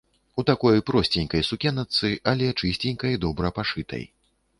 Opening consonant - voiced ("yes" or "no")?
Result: no